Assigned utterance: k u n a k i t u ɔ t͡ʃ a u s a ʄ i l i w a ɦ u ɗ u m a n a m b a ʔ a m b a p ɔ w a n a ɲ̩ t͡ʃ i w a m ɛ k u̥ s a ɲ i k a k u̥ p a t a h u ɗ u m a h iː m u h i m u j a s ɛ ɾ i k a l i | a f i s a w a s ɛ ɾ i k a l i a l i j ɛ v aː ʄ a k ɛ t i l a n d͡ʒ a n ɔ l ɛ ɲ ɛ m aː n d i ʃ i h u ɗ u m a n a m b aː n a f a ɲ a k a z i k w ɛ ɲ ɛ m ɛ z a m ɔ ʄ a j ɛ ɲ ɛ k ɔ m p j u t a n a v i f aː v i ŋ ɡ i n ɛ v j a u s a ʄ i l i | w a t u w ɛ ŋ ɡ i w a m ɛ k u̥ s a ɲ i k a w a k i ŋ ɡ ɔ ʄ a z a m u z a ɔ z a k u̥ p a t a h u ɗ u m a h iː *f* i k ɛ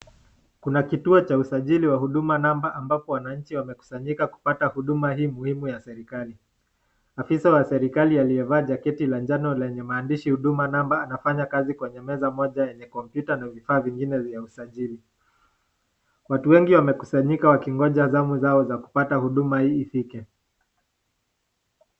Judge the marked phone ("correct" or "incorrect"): correct